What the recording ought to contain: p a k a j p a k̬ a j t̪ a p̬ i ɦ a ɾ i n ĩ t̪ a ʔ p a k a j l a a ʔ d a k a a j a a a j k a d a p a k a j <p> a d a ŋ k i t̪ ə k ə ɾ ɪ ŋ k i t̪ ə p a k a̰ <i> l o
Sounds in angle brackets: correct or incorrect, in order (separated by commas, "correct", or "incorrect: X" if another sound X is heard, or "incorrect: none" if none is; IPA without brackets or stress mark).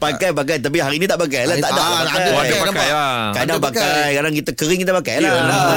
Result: incorrect: k, incorrect: j